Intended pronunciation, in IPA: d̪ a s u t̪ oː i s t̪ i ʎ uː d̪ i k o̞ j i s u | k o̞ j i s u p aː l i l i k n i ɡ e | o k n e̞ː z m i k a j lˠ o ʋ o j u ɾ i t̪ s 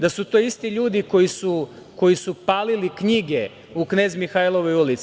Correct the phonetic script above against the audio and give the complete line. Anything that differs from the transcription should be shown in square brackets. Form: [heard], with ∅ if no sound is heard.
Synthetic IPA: d̪ a s u t̪ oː i s t̪ i ʎ uː d̪ i k o̞ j i s u | k o̞ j i s u p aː l i l i k [ɲ] i ɡ e | [u] k n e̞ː z m i [x] a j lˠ o ʋ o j u [l] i t̪ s